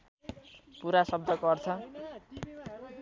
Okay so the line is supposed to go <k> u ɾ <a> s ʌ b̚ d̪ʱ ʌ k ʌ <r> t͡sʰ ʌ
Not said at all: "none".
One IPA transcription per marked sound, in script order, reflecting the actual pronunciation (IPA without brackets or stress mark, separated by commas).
p, a, r